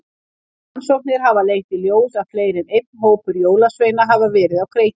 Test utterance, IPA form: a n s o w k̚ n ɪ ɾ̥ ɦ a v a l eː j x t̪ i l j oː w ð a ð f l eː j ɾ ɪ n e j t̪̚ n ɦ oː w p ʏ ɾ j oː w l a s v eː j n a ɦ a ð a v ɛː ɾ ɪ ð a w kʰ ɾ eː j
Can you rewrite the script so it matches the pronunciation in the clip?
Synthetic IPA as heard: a n s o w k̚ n ɪ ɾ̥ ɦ a v a l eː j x t̪ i l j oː w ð a ð f l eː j ɾ ɪ n e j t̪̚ n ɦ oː w p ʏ ɾ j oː w l a s v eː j n a ɦ a v a v ɛː ɾ ɪ ð a w kʰ ɾ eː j